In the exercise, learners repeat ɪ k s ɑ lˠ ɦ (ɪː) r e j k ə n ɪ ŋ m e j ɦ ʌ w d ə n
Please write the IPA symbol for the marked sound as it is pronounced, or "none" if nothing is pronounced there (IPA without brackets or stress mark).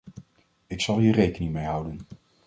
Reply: iː